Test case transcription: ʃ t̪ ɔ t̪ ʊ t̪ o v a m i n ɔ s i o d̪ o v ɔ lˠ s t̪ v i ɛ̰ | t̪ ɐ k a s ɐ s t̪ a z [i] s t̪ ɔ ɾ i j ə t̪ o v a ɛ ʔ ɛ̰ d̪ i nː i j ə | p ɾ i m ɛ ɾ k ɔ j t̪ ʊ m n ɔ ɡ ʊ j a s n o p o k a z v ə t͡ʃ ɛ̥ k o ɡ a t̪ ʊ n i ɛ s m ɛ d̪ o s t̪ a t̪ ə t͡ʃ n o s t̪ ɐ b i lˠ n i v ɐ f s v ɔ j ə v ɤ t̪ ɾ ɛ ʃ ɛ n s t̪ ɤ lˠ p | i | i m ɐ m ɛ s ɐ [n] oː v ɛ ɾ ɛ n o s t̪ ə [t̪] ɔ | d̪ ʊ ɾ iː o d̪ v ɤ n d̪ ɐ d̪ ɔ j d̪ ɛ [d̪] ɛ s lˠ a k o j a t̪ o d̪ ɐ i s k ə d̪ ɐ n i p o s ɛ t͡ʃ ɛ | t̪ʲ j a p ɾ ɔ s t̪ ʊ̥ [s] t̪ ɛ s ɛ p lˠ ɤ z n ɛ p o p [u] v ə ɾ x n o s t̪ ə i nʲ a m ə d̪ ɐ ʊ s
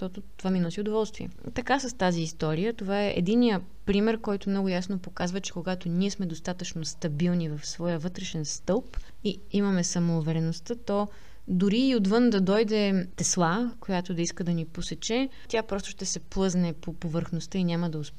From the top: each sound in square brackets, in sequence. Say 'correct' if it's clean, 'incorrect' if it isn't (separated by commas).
incorrect, incorrect, correct, incorrect, incorrect, incorrect